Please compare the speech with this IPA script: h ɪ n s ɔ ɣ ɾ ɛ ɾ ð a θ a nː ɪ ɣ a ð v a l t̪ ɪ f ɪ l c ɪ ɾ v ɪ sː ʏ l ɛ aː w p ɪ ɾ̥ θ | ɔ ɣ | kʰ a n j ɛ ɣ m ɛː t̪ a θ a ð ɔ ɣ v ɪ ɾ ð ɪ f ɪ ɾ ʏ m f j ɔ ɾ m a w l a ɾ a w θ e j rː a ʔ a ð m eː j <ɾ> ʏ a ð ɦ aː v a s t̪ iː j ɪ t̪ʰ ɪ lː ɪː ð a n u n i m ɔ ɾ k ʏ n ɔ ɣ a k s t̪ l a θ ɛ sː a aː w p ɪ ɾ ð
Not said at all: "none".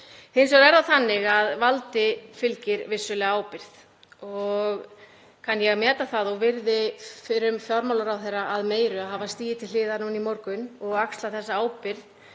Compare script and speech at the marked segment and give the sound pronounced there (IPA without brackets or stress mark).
ɾ